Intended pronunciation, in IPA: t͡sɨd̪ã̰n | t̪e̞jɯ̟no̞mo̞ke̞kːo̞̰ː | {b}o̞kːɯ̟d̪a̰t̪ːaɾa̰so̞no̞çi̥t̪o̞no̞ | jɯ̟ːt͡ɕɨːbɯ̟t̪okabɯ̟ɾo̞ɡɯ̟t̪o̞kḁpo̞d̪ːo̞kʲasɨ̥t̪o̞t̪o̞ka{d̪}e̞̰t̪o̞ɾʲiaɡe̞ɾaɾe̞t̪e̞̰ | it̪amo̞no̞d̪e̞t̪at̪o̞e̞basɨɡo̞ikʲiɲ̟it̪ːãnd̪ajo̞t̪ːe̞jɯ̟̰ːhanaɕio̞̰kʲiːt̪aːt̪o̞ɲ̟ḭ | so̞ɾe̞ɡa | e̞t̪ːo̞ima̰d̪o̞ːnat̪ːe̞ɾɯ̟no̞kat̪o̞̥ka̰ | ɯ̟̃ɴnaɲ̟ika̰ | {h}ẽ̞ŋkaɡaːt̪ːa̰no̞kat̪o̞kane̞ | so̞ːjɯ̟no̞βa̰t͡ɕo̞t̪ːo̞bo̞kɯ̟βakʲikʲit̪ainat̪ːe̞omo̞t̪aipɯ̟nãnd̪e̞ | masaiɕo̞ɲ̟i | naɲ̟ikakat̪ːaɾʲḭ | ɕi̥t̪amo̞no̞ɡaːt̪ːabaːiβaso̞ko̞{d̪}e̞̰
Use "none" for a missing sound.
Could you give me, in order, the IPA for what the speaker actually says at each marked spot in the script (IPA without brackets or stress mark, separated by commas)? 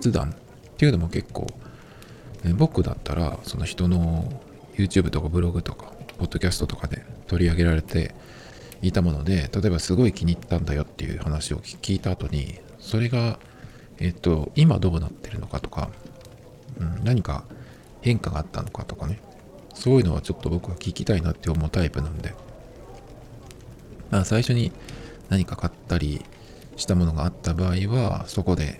b, d̪, h, d̪